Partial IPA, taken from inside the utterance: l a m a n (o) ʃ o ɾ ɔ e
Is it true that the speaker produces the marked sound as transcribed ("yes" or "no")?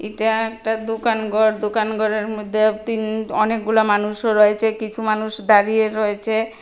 no